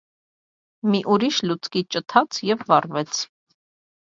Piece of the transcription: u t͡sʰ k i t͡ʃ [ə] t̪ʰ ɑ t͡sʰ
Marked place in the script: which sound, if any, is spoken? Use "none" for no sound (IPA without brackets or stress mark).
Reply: ə